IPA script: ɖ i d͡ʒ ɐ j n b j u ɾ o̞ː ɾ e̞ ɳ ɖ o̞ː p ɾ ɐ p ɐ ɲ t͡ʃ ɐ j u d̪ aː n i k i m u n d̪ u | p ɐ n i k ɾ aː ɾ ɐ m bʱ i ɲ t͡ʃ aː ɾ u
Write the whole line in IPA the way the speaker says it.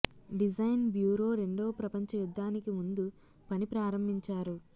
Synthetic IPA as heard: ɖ i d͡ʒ ɐ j n b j uː ɾ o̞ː ɾ e̞ ɳ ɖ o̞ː p ɾ ɐ p ɐ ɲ t͡ʃ ɐ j u d̪ː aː n i k i m u n d̪ u | p ɐ n i p ɾ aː ɾ ɐ m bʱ i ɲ t͡ʃ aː ɾ u